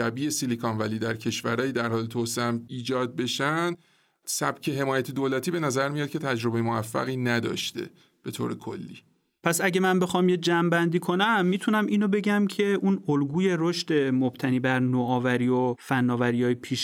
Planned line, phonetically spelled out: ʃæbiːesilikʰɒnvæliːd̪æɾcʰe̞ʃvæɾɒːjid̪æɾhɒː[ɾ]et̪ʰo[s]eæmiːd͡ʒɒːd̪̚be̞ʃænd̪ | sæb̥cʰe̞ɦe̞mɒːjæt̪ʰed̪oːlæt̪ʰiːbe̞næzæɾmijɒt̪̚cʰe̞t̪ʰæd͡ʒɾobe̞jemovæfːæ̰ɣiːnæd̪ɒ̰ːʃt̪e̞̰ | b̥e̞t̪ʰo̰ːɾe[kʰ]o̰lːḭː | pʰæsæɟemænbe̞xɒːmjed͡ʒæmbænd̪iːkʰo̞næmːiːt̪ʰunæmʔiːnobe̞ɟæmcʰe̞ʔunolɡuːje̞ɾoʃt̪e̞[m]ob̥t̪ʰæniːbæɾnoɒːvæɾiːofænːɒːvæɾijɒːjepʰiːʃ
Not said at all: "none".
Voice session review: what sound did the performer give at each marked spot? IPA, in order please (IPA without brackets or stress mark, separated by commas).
l, s, kʰ, m